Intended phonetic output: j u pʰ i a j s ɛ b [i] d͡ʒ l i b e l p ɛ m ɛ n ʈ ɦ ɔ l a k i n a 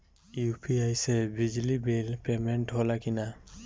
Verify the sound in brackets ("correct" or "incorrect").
correct